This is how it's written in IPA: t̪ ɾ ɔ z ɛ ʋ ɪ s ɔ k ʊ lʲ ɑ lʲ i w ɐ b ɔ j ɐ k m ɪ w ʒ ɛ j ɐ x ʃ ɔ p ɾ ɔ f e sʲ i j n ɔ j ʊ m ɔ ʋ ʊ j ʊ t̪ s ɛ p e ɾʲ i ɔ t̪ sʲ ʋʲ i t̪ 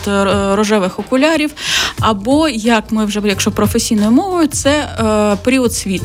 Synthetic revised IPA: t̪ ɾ ɔ ʒ ɛ ʋ ɪ x ɔ k ʊ lʲ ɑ ɾʲ i w ɐ b ɔ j ɐ k m ɪ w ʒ ɛ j ɐ k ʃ ɔ p ɾ ɔ f e sʲ i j n ɔ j ʊ m ɔ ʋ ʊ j ʊ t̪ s ɛ p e ɾʲ i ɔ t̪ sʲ ʋʲ i t̪